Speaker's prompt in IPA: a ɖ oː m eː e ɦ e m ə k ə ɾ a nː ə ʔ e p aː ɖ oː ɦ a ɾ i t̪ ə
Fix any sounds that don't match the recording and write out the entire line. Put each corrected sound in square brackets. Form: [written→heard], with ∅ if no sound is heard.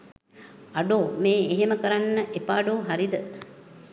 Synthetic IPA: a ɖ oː m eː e ɦ e m ə k ə ɾ a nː ə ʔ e p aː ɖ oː ɦ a ɾ i [t̪→d̪] ə